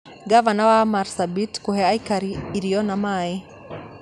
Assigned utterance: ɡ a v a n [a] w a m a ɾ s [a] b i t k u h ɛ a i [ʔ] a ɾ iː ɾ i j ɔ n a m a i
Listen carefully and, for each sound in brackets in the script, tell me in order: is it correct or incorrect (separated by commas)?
correct, correct, incorrect